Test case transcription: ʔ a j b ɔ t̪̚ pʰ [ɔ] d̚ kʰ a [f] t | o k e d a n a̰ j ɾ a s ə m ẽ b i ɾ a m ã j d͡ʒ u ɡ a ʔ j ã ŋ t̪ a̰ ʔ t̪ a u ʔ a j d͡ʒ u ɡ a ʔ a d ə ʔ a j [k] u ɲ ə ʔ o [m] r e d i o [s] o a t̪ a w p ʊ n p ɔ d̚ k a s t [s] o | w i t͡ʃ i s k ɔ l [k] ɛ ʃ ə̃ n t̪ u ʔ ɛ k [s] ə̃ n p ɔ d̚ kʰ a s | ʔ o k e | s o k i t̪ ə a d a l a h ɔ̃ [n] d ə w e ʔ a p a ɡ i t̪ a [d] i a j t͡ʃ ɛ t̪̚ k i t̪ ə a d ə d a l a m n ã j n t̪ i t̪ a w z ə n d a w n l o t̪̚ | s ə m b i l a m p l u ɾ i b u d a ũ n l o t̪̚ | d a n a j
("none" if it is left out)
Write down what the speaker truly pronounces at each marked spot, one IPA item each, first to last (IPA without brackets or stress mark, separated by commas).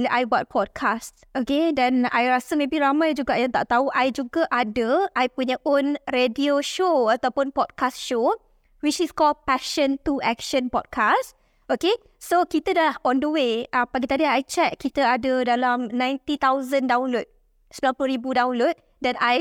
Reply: ɔ, s, p, n, ʃ, ʃ, p, ʃ, n, d